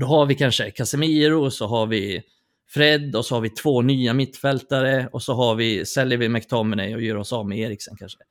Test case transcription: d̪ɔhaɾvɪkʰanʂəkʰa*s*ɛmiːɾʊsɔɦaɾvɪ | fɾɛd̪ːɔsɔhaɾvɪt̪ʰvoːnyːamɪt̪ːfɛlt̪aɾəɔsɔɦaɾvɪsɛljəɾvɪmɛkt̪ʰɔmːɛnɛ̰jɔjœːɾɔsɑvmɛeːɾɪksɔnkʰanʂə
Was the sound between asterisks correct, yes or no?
yes